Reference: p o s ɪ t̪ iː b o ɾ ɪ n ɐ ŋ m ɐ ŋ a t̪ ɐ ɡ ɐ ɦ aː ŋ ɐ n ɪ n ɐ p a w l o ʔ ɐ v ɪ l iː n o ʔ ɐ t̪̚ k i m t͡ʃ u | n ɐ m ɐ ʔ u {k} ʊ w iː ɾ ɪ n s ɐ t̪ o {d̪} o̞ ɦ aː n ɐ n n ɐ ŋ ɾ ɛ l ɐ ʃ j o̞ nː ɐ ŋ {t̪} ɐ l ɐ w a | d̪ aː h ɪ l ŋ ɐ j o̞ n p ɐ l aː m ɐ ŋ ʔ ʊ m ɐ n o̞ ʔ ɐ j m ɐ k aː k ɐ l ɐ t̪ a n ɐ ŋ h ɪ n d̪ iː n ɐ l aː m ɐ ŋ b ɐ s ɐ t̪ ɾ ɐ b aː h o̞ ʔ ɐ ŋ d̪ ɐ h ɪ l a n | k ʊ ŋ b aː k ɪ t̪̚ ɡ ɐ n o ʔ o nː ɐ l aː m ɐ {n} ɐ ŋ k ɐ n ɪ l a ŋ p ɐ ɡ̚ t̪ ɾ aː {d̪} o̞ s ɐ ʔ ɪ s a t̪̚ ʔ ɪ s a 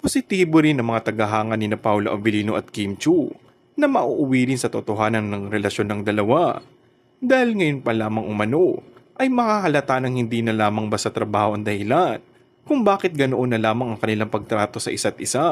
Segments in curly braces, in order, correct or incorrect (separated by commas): incorrect, incorrect, incorrect, incorrect, incorrect